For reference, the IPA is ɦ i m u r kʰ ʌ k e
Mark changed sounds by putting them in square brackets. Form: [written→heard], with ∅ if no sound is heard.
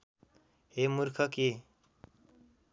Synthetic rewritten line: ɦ [i→e] m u [r→ɾ] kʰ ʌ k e

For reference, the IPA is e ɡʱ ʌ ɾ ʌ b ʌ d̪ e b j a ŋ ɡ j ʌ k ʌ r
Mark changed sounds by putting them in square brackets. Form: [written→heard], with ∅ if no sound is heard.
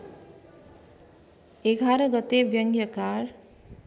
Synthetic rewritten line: e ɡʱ [ʌ→a] ɾ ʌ [b→ɡ] ʌ [d̪→t̪] e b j [a→ʌ] ŋ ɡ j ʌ k [ʌ→a] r

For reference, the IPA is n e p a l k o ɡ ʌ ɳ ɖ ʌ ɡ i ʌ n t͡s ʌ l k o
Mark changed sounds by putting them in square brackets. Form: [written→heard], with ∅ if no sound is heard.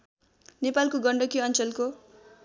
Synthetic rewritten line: n e p a l k o ɡ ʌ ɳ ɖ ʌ [ɡ→k] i ʌ n t͡s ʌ l k o

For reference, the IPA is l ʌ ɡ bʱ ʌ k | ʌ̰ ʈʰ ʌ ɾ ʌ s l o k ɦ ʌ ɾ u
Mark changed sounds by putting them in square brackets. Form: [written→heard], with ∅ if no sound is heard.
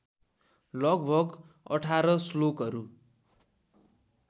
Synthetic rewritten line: l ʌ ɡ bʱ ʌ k | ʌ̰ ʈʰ [ʌ→a] ɾ ʌ s l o k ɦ ʌ ɾ u

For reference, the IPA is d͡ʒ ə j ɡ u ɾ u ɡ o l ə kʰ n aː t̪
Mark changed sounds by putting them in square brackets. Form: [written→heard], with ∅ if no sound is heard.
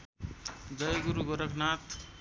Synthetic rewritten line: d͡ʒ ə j ɡ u ɾ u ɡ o [l→ɾ] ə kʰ n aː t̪

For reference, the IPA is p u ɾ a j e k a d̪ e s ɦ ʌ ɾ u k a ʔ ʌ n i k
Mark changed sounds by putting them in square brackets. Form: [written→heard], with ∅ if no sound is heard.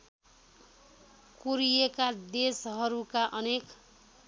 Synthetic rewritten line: [p→k] u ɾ [a→i] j e k a d̪ e s ɦ ʌ ɾ u k a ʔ ʌ n [i→e] k

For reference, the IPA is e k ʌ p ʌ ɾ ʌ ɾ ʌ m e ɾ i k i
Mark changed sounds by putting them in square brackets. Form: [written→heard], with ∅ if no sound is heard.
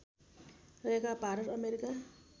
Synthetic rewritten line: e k [ʌ→a] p [ʌ→a] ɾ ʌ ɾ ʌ m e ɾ i k [i→a]

